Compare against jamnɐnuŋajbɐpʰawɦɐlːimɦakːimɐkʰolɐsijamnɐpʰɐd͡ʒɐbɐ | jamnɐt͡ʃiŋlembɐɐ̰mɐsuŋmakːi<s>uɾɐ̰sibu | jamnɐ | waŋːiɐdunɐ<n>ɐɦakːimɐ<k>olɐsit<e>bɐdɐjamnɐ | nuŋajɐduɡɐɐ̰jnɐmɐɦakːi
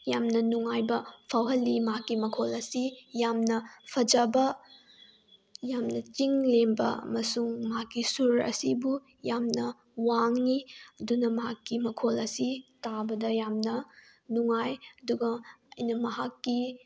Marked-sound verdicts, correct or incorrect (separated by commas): correct, incorrect, incorrect, incorrect